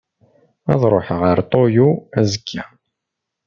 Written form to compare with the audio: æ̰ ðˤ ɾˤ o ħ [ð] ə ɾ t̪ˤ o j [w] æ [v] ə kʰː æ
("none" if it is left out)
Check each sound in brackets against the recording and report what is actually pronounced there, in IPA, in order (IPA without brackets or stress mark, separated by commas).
ʁ, u, z